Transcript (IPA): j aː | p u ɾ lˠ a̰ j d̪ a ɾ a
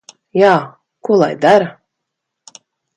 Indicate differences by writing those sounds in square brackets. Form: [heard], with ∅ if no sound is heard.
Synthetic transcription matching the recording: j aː | [k] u [∅] lˠ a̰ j d̪ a ɾ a